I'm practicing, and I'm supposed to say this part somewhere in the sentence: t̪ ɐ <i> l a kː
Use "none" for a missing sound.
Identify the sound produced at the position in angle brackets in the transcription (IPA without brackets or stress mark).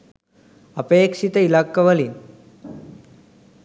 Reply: i